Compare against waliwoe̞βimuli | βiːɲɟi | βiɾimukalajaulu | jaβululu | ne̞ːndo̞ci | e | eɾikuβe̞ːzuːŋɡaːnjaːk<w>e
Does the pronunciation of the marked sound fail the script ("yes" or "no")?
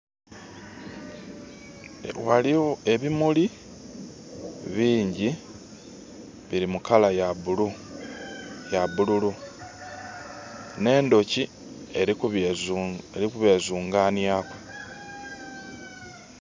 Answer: no